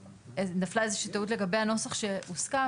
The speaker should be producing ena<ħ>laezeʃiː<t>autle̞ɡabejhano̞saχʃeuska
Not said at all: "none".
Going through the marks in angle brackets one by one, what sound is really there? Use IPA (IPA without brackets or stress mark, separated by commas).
f, t